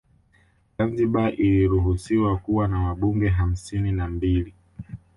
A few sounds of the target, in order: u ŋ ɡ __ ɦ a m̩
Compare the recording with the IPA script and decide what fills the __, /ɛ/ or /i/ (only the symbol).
ɛ